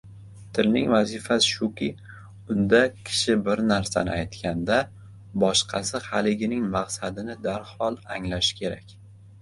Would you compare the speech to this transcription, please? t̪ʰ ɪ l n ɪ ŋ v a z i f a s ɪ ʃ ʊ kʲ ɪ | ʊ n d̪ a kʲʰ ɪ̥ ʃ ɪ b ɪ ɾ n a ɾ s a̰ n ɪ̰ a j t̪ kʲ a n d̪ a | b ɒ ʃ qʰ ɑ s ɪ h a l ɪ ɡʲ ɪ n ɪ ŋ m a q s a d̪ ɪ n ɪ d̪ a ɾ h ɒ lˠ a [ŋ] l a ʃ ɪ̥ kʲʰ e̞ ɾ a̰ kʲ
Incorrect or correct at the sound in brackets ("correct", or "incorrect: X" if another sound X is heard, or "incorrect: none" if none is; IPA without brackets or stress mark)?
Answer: correct